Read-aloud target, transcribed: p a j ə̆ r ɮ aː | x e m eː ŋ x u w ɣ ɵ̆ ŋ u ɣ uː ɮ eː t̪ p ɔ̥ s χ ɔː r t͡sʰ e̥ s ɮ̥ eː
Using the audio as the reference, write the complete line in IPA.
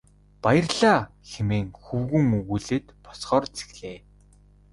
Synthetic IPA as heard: p a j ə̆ r ɮ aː | x e m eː ŋ x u w ɣ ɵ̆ ŋ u ɣ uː ɮ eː t̪ p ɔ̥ s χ ɔː r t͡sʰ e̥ x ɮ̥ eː